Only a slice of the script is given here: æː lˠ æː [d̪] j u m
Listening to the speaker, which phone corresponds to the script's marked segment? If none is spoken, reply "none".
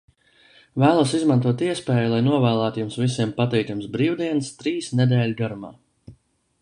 t̪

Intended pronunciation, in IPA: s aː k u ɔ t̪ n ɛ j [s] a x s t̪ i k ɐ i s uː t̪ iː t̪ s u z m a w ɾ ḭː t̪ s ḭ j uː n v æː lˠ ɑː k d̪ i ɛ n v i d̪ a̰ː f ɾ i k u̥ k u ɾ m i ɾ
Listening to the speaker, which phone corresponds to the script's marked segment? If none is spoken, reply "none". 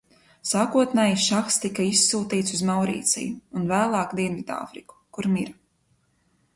ʃ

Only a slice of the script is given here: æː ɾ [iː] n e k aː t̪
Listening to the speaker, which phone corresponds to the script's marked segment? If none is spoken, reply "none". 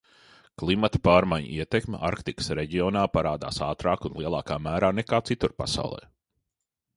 aː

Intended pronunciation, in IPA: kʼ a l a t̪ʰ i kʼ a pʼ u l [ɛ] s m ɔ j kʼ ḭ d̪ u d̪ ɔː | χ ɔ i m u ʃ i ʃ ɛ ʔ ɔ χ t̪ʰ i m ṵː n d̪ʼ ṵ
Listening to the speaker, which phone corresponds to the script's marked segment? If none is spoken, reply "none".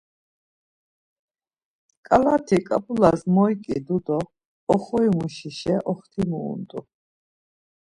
a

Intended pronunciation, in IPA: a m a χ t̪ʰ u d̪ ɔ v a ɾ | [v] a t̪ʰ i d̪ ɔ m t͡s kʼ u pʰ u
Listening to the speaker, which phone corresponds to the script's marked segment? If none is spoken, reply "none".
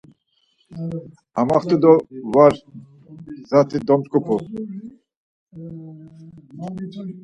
z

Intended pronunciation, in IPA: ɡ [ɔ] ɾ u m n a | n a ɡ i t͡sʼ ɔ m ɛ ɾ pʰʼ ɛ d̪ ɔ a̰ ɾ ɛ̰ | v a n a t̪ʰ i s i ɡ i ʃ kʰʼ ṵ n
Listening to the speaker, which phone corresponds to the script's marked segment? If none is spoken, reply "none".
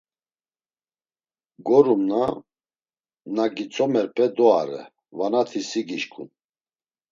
ɔ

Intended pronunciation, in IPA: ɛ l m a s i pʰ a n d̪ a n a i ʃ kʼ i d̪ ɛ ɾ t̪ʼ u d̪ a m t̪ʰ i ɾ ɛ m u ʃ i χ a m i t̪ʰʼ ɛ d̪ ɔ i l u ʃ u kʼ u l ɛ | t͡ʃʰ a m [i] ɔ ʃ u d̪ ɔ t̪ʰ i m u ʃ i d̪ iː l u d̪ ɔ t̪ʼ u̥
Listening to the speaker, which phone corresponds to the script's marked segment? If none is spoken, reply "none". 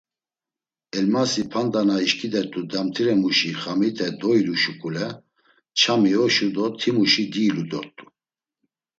i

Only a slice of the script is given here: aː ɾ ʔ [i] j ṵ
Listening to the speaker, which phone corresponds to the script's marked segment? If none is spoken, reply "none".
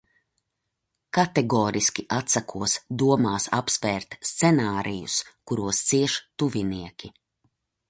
i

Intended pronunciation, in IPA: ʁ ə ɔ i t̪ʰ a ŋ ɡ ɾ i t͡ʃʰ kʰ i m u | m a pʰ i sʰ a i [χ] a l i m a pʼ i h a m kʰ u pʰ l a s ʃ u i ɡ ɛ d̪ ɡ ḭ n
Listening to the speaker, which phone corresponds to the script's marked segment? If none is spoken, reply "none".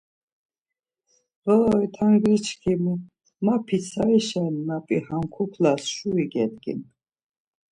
ʃ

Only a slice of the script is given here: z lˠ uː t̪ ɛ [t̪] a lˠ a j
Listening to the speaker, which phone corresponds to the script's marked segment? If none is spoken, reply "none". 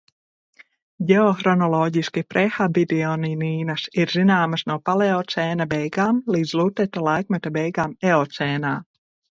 t̪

